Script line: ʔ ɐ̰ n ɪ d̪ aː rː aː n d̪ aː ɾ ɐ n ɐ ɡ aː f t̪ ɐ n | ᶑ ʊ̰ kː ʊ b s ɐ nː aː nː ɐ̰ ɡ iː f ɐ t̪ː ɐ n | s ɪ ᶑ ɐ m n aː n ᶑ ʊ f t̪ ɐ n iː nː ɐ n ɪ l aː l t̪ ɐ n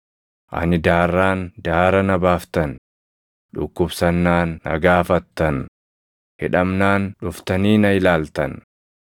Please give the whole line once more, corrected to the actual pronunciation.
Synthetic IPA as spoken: ʔ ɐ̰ n ɪ d̪ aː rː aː n d̪ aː ɾ ɐ n ɐ b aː f t̪ ɐ n | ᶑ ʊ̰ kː ʊ b s ɐ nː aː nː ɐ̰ ɡ aː f ɐ t̪ː ɐ n | h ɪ ᶑ ɐ m n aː n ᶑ ʊ f t̪ ɐ n iː n ɐ ɪ l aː l t̪ ɐ n